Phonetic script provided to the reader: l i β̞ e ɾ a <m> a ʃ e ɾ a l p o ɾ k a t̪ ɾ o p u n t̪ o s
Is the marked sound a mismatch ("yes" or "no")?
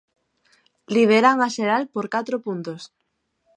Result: yes